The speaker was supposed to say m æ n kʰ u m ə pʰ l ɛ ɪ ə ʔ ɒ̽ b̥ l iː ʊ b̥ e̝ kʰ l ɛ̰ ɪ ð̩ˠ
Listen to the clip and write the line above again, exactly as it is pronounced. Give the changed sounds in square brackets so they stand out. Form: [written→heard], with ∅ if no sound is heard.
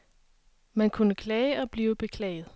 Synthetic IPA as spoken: m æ n kʰ u [m→n] ə [pʰ→kʰ] l ɛ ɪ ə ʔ ɒ̽ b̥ l iː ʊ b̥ e̝ kʰ l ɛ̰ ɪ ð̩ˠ

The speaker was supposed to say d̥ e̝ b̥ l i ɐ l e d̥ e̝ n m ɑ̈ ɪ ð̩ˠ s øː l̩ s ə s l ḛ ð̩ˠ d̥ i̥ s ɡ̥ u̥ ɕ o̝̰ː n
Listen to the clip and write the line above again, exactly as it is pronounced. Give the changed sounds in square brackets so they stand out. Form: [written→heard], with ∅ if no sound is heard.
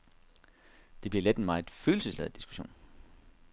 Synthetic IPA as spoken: d̥ e̝ b̥ l i ɐ l e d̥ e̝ n m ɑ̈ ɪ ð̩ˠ [s→f] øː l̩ s ə s l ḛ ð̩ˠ d̥ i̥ s ɡ̥ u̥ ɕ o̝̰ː n

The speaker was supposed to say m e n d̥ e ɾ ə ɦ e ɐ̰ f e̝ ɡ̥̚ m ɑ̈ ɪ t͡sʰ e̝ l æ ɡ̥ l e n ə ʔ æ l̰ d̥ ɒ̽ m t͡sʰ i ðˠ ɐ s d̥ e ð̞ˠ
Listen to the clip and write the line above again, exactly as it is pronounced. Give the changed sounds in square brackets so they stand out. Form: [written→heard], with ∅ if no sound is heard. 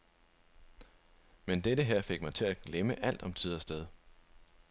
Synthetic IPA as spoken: m e n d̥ e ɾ ə ɦ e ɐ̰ f e̝ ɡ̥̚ m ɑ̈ ɪ t͡sʰ e̝ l æ ɡ̥ l e [n→m] ə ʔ æ l̰ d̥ ɒ̽ m t͡sʰ i ðˠ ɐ s d̥ e ð̞ˠ

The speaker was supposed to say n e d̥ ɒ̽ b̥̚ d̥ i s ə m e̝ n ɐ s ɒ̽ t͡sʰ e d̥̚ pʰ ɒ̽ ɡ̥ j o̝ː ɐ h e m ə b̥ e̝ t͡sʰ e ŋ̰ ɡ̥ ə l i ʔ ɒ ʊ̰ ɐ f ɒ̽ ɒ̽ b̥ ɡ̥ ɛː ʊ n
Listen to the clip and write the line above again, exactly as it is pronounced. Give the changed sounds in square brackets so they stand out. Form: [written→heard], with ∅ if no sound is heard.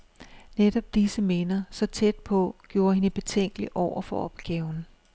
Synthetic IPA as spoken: n e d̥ ɒ̽ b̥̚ d̥ i s ə m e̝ n ɐ s ɒ̽ t͡sʰ e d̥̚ pʰ ɒ̽ ɡ̥ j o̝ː ɐ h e [m→n] ə b̥ e̝ t͡sʰ e ŋ̰ ɡ̥ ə l i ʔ ɒ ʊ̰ ɐ f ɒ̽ ɒ̽ b̥ ɡ̥ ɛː ʊ n

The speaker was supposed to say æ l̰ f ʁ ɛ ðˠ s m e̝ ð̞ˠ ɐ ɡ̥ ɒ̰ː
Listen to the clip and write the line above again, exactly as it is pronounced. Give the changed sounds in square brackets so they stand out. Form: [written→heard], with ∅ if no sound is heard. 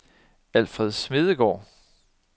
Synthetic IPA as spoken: æ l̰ f ʁ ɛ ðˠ s m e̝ ð̞ˠ [ɐ→ə] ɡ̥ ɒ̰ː

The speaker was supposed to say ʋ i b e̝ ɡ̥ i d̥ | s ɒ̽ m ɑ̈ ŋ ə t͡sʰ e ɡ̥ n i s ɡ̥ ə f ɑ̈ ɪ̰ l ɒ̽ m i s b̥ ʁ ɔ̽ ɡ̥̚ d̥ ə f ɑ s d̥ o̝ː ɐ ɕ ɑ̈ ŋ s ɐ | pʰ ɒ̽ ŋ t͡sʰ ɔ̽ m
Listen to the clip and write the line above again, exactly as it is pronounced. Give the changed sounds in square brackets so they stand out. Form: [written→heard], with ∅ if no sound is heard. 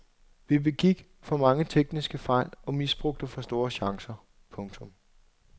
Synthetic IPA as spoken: ʋ i b e̝ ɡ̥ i [d̥→ɡ̥] | [s→f] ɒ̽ m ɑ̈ ŋ ə t͡sʰ e ɡ̥ n i s ɡ̥ ə f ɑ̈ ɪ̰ l ɒ̽ m i s b̥ ʁ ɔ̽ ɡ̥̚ d̥ ə f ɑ s d̥ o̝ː ɐ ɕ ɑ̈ ŋ s ɐ | pʰ [ɒ̽→ɔ̽] ŋ t͡sʰ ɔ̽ m

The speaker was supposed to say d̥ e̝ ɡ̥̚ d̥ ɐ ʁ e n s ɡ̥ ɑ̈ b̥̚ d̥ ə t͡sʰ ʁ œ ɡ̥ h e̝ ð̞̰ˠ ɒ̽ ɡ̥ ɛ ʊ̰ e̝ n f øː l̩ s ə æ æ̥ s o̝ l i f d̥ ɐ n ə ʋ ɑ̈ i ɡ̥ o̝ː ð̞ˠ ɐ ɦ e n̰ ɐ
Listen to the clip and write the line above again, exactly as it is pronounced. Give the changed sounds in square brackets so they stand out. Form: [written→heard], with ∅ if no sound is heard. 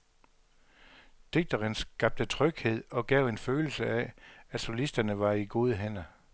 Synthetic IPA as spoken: d̥ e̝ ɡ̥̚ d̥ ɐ ʁ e n s ɡ̥ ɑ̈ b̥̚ d̥ ə t͡sʰ ʁ œ ɡ̥ h e̝ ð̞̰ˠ ɒ̽ ɡ̥ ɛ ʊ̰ e̝ n f øː l̩ s ə æ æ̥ s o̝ l i [f→s] d̥ ɐ n ə ʋ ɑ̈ i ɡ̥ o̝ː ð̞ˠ [ɐ→ə] ɦ e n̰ ɐ

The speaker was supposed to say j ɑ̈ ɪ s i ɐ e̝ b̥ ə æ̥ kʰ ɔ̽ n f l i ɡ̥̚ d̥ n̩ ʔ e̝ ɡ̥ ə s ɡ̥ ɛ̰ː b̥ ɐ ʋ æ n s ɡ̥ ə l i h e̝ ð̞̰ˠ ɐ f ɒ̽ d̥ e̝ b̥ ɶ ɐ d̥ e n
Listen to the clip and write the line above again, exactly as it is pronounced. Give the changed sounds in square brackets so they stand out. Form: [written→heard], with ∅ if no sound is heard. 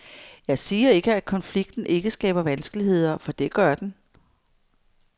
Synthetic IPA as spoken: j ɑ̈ ɪ s [i→iː] ɐ e̝ [b̥→ɡ̥] ə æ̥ kʰ [ɔ̽→ɒ̽] n f l i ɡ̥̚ d̥ n̩ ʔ e̝ ɡ̥ ə s ɡ̥ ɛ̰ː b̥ ɐ ʋ æ n s ɡ̥ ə l i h e̝ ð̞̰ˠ ɐ f ɒ̽ d̥ e̝ [b̥→ɡ̥] ɶ ɐ d̥ e n

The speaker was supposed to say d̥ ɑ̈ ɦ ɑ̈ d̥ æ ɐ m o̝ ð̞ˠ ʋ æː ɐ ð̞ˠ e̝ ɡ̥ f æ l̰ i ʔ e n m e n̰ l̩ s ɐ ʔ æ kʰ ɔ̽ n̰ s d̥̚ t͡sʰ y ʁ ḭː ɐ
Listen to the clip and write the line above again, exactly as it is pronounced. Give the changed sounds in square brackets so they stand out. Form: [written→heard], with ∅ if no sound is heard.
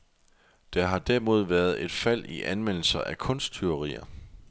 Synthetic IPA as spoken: d̥ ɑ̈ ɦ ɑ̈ d̥ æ ɐ m o̝ ð̞ˠ ʋ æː ɐ ð̞ˠ e̝ [ɡ̥→d̥] f æ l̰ i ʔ [e→æ] n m e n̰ l̩ s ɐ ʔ æ kʰ ɔ̽ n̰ s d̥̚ t͡sʰ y ʁ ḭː ɐ

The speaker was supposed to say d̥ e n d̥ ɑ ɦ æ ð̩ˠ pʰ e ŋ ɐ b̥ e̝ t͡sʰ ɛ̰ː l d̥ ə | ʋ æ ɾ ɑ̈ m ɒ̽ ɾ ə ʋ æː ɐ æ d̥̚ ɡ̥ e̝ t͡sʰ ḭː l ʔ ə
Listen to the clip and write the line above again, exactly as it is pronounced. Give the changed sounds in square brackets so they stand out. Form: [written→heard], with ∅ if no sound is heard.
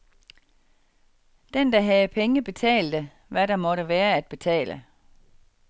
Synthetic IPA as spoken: d̥ e n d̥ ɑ ɦ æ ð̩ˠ pʰ e ŋ [ɐ→ə] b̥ e̝ t͡sʰ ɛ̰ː l d̥ ə | ʋ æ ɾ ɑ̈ m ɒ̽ ɾ ə ʋ æː ɐ æ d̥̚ [ɡ̥→b̥] e̝ t͡sʰ [ḭː→ɛ̰ː] l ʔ ə

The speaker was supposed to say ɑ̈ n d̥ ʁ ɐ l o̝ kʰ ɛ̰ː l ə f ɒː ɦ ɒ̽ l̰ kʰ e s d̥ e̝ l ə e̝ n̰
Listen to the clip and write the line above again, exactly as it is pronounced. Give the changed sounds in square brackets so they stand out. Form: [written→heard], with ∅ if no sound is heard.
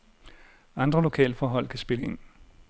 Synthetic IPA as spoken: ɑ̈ n d̥ ʁ ɐ l o̝ kʰ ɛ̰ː l ə f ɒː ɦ ɒ̽ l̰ kʰ [e→æ] s [d̥→b̥] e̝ l ə e̝ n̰

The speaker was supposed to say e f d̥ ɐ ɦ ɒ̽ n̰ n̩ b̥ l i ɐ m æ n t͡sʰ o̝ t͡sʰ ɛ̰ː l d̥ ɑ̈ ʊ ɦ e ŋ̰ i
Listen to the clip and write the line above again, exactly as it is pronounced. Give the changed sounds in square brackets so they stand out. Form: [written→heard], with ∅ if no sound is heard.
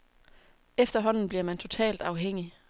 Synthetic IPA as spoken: e f d̥ ɐ ɦ ɒ̽ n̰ n̩ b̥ l i ɐ m æ n t͡sʰ o̝ t͡sʰ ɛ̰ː l d̥ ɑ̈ ʊ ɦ e ŋ̰ i

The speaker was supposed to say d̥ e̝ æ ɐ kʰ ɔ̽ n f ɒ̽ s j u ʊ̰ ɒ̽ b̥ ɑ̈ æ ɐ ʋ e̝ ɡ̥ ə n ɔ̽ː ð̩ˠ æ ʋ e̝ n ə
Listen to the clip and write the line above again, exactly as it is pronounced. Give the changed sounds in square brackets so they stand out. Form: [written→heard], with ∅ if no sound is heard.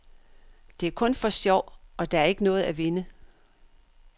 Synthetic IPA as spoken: d̥ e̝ æ ɐ kʰ ɔ̽ n f ɒ̽ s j [u→ɒ] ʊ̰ ɒ̽ [b̥→d̥] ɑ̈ æ ɐ [ʋ→∅] e̝ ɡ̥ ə n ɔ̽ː ð̩ˠ æ ʋ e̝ n ə

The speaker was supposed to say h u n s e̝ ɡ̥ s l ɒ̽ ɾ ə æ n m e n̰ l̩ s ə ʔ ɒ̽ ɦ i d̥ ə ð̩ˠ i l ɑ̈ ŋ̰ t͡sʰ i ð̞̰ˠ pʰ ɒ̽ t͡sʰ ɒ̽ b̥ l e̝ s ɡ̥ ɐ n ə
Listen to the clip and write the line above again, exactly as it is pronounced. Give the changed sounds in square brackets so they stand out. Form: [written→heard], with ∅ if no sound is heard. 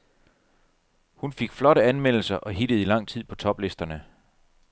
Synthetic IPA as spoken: h u n [s→f] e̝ ɡ̥ [s→f] l ɒ̽ ɾ ə æ n m e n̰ l̩ s [ə→ɐ] ʔ ɒ̽ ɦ i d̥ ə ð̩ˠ i l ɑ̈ ŋ̰ t͡sʰ i ð̞̰ˠ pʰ ɒ̽ t͡sʰ ɒ̽ b̥ l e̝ s [ɡ̥→d̥] ɐ n ə

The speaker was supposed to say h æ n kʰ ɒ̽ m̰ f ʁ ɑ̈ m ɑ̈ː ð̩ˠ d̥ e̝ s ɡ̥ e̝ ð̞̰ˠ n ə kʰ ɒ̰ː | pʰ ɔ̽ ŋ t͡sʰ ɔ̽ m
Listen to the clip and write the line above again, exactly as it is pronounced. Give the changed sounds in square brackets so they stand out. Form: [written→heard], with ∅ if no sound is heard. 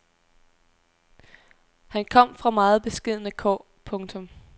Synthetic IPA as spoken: h æ n kʰ ɒ̽ m̰ f ʁ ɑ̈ m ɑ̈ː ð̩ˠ [d̥→b̥] e̝ s ɡ̥ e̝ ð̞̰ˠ n ə kʰ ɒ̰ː | pʰ ɔ̽ ŋ t͡sʰ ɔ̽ m

